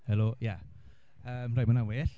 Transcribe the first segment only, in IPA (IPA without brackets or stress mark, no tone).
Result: h